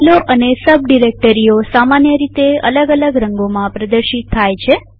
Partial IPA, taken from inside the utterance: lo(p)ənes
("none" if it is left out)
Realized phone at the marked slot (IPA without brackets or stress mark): ʔ